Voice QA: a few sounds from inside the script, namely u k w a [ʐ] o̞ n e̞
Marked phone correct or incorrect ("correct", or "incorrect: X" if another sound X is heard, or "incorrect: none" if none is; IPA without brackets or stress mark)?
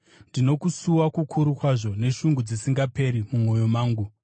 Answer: correct